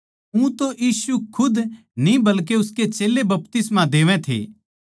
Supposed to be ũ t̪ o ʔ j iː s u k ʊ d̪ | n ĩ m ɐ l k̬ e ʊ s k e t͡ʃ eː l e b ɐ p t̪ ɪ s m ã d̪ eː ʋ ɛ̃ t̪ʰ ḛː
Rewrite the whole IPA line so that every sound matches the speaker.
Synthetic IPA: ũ t̪ o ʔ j iː s u kʰ ʊ d̪ | n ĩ b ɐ l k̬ e ʊ s k e t͡ʃ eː l e b ɐ p t̪ ɪ s m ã d̪ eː ʋ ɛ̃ t̪ʰ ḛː